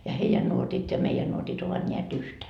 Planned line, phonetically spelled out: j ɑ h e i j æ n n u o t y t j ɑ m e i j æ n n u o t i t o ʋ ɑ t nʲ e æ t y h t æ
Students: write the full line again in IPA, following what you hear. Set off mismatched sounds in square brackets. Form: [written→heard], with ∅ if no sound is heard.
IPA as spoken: j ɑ h e i j æ n n u o t [y→i] t j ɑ m e i j æ n n u o t i t o ʋ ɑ t nʲ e æ t y h t æ